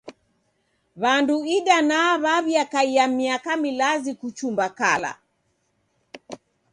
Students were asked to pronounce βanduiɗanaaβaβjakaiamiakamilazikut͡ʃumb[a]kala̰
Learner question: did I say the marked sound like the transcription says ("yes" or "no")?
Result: yes